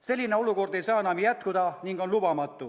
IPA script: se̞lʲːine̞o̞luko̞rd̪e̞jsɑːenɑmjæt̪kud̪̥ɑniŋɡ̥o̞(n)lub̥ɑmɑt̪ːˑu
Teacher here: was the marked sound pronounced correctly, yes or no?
yes